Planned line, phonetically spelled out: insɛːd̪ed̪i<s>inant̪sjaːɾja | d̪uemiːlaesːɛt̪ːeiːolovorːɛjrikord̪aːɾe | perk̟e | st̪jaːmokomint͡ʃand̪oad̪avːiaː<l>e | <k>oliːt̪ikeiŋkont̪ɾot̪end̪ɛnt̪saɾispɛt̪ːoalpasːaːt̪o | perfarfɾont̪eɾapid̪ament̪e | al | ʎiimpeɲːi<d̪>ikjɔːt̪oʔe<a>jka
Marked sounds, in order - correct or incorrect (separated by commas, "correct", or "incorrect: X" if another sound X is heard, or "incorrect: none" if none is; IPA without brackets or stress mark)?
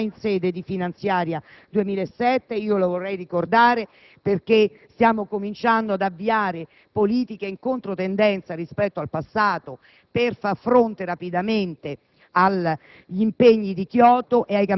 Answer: incorrect: f, incorrect: ɾ, incorrect: p, correct, correct